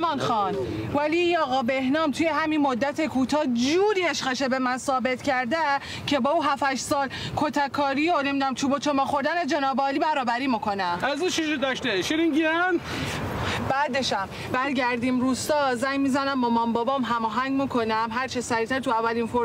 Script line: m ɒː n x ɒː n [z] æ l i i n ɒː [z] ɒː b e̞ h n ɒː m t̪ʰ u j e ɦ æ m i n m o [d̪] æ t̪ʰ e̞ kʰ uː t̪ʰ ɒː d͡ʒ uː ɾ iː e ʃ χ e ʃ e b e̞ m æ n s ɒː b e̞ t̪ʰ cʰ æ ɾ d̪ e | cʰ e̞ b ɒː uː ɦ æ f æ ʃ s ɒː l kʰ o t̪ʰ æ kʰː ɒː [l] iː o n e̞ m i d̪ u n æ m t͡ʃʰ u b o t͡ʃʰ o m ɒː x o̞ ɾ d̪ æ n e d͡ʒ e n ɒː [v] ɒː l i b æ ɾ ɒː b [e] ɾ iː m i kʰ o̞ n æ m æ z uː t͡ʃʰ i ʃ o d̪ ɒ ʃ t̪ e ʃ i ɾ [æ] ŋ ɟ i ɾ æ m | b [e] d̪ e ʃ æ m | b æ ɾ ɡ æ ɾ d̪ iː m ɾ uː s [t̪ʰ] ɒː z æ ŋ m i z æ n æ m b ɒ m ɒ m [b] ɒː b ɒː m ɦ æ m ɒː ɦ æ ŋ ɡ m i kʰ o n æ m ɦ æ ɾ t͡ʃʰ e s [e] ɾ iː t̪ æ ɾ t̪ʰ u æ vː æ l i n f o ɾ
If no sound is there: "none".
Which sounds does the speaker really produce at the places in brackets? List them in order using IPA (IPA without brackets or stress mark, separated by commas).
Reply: v, ɣ, d̪ː, ɾ, b, æ, i, æ, t̪, b, æ